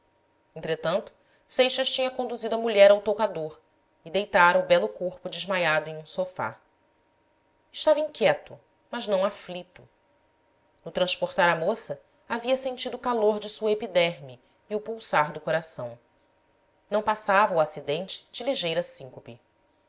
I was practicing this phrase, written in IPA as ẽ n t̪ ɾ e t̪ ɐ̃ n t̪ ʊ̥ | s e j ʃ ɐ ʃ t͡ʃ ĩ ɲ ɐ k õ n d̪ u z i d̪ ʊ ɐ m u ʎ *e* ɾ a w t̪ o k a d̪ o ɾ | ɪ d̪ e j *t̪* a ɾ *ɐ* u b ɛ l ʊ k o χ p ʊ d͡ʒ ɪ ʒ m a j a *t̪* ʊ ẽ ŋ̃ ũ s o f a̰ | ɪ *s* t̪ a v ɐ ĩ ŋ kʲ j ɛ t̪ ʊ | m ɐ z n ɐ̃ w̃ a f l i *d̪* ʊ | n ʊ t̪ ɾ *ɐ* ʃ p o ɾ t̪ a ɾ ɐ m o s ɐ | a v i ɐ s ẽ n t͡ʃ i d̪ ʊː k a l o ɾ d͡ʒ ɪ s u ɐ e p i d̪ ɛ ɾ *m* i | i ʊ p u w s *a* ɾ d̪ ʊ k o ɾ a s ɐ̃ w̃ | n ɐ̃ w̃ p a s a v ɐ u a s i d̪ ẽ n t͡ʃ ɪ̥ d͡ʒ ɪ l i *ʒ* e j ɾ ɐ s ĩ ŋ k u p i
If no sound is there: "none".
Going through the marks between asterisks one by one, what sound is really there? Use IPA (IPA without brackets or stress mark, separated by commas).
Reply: ɛ, t̪, ɐ, d̪, ʃ, t̪, ɐ̃, m, a, ʒ